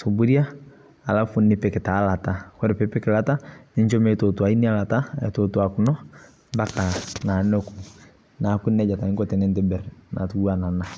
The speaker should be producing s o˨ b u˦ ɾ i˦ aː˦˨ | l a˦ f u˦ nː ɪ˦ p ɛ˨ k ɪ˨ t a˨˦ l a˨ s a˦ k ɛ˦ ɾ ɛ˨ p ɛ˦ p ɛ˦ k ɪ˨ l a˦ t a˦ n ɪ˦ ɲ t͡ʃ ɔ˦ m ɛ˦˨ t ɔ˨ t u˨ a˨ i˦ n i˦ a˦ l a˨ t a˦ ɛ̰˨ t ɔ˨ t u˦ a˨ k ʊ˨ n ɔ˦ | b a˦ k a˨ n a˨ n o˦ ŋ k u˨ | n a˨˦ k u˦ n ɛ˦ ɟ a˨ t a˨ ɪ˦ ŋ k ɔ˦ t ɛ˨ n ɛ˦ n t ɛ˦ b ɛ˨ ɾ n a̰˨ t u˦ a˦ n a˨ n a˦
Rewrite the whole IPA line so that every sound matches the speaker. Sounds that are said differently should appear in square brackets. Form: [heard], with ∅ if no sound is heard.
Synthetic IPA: s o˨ b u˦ ɾ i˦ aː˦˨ | l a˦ f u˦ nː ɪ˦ p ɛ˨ k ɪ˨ t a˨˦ l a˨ [t] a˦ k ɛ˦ ɾ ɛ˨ p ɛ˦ p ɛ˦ k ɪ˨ l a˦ t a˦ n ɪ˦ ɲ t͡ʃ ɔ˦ m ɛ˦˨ t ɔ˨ t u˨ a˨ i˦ n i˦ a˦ l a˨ t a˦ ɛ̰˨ t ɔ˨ t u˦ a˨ k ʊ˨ n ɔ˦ | b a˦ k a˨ n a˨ n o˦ [∅] k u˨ | n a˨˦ k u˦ n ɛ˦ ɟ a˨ t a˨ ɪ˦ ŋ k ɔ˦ t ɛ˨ n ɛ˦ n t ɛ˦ b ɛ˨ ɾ n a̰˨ t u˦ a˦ n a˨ n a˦